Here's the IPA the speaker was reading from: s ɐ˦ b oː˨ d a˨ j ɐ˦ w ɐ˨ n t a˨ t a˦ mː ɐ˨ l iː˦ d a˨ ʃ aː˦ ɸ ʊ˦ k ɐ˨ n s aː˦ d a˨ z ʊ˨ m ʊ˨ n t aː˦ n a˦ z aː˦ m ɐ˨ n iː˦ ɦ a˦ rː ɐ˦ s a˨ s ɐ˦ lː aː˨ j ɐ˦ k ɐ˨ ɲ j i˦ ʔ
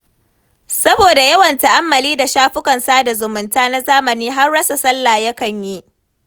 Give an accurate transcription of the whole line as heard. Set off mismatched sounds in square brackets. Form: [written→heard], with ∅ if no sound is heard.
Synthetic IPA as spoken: s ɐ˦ b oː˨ d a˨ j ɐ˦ w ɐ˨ n t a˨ [t→ʔ] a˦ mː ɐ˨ l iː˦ d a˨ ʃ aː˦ ɸ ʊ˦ k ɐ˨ n s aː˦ d a˨ z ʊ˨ m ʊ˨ n t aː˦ n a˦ z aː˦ m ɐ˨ n iː˦ ɦ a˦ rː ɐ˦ s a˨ s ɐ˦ lː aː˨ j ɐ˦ k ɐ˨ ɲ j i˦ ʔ